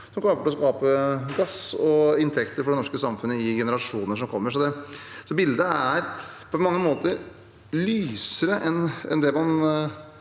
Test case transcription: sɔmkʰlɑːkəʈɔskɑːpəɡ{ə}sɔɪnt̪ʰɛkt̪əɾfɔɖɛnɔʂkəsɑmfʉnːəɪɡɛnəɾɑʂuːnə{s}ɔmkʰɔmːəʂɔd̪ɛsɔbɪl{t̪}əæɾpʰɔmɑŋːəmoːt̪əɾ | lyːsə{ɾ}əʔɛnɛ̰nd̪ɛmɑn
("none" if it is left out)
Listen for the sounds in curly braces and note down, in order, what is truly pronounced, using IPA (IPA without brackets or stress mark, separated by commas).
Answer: ɑ, ʂ, d̪, ɾ